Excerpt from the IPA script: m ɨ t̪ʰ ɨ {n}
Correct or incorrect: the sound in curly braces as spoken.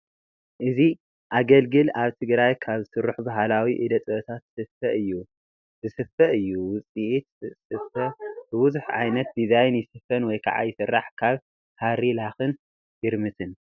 correct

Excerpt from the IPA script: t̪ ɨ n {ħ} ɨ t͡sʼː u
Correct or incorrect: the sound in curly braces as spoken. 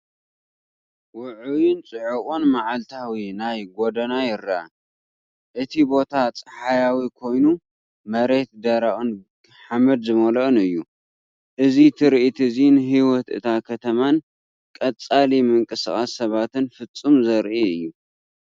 incorrect: f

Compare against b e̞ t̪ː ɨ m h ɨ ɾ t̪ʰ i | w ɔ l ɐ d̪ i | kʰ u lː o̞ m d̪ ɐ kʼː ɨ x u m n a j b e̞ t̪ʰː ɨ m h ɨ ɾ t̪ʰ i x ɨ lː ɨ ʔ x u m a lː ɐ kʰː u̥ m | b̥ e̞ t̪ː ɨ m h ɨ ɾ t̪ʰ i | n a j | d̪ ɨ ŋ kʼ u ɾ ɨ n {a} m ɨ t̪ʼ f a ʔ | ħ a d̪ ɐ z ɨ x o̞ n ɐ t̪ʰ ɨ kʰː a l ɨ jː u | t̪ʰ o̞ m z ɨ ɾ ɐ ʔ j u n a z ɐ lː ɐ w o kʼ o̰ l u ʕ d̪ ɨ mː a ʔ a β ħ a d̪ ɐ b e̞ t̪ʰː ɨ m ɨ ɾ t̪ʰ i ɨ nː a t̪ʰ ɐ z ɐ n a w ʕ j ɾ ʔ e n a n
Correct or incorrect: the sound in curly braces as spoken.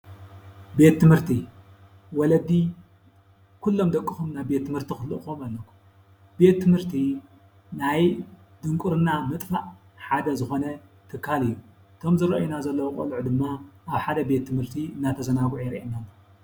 correct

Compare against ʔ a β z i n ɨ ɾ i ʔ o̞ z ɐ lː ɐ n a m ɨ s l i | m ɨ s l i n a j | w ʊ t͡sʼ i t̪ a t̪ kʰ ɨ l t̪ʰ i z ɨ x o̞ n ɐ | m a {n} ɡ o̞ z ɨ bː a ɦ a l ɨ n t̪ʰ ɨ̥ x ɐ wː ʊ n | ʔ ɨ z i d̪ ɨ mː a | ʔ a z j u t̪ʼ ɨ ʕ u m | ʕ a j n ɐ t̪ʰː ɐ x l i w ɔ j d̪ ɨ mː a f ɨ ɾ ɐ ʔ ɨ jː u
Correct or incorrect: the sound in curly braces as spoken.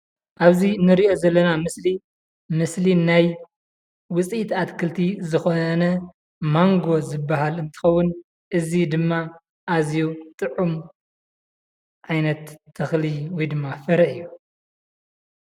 incorrect: ŋ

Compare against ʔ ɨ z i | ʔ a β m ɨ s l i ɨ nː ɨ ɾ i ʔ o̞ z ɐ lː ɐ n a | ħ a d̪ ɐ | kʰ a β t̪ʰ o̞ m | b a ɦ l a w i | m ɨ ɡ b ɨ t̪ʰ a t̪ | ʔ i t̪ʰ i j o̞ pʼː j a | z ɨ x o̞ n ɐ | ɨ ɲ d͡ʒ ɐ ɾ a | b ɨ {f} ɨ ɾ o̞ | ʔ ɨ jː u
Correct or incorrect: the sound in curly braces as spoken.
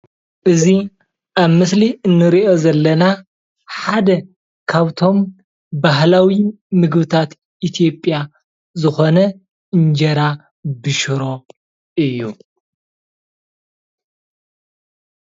incorrect: ʃ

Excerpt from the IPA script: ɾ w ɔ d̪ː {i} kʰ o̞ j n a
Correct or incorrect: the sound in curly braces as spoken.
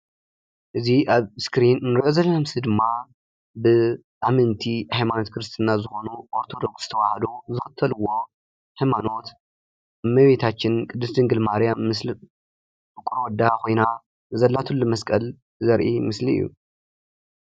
incorrect: a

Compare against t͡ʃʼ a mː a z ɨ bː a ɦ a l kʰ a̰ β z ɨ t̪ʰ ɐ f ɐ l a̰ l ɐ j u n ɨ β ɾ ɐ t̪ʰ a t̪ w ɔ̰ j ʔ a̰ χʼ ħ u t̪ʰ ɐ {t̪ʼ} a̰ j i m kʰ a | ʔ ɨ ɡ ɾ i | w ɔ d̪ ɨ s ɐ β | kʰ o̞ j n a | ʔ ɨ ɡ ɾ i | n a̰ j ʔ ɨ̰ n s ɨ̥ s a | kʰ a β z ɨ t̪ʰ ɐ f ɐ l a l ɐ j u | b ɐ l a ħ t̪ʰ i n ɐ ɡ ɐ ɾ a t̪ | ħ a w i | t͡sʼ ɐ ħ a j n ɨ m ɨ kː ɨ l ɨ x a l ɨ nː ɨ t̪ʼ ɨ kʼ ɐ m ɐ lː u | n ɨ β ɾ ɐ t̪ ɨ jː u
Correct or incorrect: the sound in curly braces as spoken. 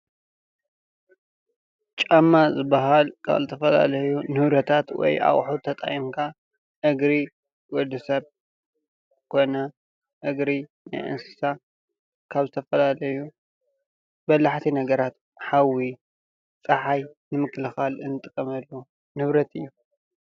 correct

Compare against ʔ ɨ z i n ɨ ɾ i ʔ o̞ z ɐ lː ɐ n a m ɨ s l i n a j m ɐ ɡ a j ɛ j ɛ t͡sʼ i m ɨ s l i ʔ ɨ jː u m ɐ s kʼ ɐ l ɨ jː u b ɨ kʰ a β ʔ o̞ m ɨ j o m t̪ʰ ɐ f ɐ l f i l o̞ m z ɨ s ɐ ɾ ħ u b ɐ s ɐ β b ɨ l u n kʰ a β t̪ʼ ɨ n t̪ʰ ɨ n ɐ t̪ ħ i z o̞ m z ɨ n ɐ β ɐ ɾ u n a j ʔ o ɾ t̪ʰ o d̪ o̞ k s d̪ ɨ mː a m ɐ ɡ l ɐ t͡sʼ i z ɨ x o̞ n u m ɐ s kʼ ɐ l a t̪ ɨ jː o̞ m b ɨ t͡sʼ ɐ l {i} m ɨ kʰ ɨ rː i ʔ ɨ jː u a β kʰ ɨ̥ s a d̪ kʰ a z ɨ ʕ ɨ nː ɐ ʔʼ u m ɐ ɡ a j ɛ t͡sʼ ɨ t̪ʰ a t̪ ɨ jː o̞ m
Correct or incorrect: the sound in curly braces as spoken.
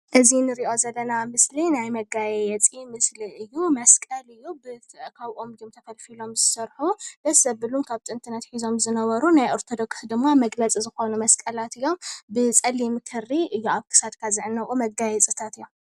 correct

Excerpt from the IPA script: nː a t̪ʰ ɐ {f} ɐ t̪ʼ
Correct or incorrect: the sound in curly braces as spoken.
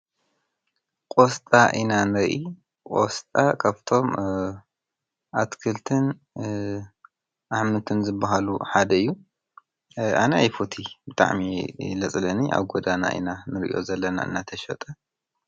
incorrect: ʃ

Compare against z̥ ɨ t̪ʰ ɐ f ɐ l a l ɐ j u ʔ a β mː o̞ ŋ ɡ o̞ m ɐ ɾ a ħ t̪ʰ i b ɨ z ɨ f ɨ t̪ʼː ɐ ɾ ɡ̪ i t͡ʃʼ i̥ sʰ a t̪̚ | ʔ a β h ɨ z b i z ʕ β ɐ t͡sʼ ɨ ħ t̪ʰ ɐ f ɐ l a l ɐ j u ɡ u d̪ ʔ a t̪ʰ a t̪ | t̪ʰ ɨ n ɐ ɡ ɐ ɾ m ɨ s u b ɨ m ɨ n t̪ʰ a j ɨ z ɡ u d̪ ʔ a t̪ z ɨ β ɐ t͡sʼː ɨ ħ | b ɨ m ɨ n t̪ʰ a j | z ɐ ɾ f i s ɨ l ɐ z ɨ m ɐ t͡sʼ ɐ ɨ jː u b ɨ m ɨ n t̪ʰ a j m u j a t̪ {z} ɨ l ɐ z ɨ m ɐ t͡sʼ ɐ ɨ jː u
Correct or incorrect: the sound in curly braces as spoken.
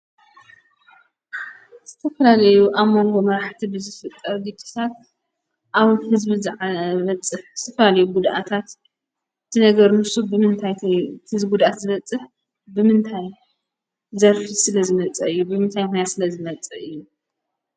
incorrect: s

